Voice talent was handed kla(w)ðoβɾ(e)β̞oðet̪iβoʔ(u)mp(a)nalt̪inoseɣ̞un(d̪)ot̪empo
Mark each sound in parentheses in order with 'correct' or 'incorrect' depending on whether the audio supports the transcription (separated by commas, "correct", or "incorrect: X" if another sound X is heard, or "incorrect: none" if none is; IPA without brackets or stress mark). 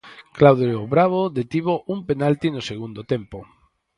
correct, incorrect: a, correct, incorrect: e, correct